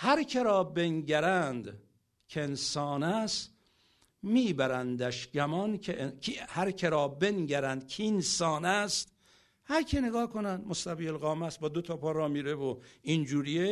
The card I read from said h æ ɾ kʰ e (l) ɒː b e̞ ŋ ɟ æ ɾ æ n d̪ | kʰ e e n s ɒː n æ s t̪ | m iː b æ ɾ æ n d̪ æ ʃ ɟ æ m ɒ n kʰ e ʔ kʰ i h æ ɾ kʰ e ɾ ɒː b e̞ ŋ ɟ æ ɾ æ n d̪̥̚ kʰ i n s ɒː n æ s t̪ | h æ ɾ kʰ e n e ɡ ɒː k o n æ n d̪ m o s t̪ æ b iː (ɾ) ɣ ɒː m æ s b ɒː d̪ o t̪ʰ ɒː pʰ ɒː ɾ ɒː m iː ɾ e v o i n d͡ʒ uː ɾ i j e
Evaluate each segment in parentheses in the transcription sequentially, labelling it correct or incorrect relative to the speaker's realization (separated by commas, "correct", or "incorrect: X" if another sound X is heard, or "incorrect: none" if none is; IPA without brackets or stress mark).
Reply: incorrect: ɾ, incorrect: l